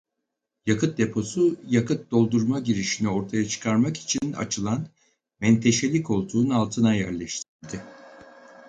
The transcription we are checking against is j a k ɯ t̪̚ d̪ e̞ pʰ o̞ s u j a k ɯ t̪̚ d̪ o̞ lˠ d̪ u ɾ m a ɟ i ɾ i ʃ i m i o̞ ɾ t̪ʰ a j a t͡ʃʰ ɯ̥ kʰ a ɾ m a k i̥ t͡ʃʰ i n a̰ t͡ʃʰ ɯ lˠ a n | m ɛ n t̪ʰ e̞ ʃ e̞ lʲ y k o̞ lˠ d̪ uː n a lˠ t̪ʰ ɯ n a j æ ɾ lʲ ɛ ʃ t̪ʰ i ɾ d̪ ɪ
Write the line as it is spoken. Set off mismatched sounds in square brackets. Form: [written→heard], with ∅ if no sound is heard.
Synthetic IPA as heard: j a k ɯ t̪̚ d̪ e̞ pʰ o̞ s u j a k ɯ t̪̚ d̪ o̞ lˠ d̪ u ɾ m a ɟ i ɾ i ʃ i [m→n] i o̞ ɾ t̪ʰ a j a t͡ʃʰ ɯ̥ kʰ a ɾ m a k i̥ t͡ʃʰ i n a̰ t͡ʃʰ ɯ lˠ a n | m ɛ n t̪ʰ e̞ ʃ e̞ lʲ [y→i] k o̞ lˠ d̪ uː n a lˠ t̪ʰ ɯ n a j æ ɾ lʲ ɛ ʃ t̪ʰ i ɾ d̪ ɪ